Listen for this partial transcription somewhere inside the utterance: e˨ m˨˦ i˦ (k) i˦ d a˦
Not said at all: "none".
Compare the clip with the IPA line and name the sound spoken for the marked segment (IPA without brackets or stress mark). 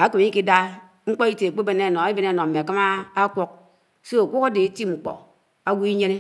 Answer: k